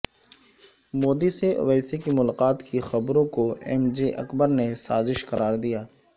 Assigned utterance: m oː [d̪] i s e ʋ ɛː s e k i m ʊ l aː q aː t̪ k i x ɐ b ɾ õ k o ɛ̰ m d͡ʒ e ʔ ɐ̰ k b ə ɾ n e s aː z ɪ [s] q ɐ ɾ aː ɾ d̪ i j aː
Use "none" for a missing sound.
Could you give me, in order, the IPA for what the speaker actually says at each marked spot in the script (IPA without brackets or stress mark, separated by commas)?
d̪, ʃ